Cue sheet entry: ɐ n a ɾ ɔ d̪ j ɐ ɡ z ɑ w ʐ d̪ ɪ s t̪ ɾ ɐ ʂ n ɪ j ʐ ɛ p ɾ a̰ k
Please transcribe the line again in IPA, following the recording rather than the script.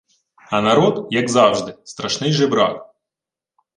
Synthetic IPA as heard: ɐ n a ɾ ɔ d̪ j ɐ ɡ z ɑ w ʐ d̪ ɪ s t̪ ɾ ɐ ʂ n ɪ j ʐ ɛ b ɾ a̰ k